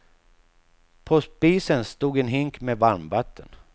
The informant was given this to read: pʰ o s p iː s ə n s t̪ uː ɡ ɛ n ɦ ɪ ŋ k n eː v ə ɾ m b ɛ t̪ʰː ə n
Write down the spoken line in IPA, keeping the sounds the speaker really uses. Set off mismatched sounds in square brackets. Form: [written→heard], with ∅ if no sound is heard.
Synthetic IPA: pʰ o s p iː s ə n s t̪ uː ɡ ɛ n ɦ ɪ ŋ k [n→m] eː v [ə→a] ɾ m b [ɛ→a] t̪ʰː ə n